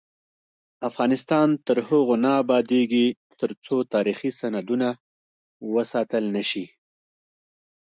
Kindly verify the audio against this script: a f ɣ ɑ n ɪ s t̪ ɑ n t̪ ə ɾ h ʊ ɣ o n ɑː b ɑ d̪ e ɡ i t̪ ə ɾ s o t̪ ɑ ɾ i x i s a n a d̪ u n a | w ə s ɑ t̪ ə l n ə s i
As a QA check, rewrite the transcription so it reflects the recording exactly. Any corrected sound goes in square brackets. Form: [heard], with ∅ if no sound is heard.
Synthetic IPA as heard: a f ɣ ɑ n ɪ s t̪ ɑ n t̪ ə ɾ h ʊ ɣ o n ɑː b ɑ d̪ e ɡ i t̪ ə ɾ [t͡s] o t̪ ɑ ɾ i x i s a n a d̪ u n a | w ə s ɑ t̪ ə l n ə [ʃ] i